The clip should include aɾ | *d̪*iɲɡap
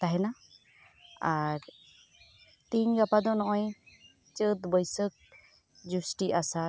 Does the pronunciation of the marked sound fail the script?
yes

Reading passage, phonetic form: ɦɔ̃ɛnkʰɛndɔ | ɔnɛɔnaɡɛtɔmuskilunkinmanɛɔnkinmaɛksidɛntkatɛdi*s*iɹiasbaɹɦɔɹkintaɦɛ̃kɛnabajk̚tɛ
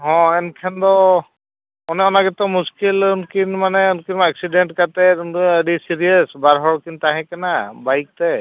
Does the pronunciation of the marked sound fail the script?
no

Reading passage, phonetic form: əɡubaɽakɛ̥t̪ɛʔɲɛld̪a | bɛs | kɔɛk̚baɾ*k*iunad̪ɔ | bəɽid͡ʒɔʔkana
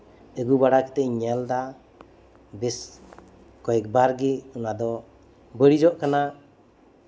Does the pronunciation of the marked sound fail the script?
yes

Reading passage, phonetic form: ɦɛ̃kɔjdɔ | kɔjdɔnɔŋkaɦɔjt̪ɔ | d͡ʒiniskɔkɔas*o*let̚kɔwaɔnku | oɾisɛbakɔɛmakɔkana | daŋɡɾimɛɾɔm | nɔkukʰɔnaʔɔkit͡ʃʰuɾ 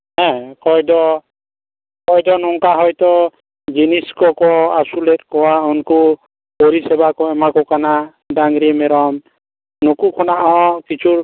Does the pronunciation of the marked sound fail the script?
yes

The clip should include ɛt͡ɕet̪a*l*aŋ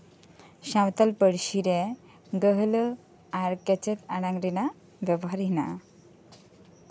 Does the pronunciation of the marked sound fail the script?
yes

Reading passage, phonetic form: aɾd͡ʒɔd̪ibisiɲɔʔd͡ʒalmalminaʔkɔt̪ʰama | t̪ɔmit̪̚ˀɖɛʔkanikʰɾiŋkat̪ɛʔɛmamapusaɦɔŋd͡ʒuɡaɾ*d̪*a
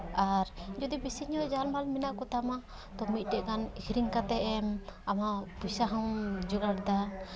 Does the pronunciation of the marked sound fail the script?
no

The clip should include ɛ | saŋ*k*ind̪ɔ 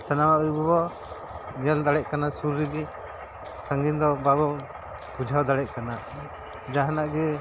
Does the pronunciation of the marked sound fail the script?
yes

